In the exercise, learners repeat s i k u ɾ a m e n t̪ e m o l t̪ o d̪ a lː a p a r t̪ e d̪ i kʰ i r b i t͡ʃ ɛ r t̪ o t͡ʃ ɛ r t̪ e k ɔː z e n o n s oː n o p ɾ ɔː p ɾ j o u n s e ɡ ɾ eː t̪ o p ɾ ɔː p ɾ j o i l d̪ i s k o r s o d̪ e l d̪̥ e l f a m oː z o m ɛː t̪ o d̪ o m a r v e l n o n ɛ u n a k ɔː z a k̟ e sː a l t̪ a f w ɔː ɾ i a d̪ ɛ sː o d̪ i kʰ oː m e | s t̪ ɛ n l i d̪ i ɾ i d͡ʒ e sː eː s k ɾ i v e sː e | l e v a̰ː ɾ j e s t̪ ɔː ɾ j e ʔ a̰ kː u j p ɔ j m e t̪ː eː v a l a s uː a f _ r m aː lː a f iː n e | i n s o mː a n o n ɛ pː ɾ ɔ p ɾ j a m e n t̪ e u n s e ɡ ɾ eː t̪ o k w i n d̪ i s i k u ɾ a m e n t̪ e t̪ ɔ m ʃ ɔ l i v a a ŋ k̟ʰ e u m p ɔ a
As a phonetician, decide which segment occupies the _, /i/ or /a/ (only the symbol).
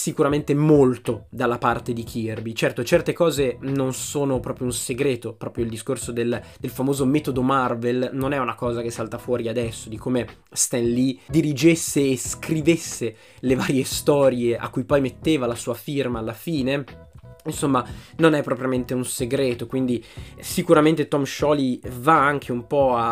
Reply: i